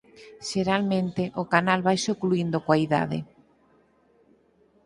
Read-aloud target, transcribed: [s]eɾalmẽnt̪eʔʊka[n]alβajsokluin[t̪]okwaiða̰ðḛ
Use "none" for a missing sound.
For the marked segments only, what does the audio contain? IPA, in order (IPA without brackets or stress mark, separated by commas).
ʃ, n, d̪